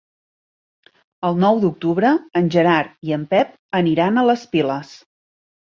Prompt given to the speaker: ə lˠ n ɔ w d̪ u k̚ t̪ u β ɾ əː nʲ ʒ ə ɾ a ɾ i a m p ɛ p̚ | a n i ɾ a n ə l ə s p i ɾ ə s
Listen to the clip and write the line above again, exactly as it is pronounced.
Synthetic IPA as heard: ə lˠ n ɔ w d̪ u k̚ t̪ u β ɾ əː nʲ ʒ ə ɾ a ɾ i ə m p ɛ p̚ | ə n i ɾ a n ə l ə s p i l ə s